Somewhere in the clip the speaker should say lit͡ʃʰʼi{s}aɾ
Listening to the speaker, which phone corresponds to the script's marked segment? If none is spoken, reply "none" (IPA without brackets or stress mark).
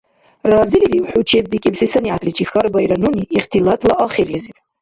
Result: x